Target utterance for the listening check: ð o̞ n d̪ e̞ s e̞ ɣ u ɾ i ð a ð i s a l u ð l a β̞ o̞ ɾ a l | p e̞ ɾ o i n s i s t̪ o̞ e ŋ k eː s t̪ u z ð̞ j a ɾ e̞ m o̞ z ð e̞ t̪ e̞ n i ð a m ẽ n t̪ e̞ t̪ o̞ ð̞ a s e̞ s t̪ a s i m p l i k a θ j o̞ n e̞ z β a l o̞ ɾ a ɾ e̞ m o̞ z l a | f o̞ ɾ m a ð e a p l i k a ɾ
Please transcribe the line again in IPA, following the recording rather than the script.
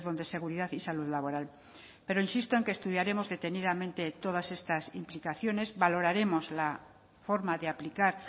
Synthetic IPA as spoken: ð o̞ n d̪ e̞ s e̞ ɣ u ɾ i ð a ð i s a l u ð l a β̞ o̞ ɾ a l | p e̞ ɾ o i n s i s t̪ o̞ e ŋ k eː s t̪ u ð̞ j a ɾ e̞ m o̞ z ð e̞ t̪ e̞ n i ð a m ẽ n t̪ e̞ t̪ o̞ ð̞ a s e̞ s t̪ a s i m p l i k a θ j o̞ n e̞ z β a l o̞ ɾ a ɾ e̞ m o̞ z l a | f o̞ ɾ m a ð e a p l i k a ɾ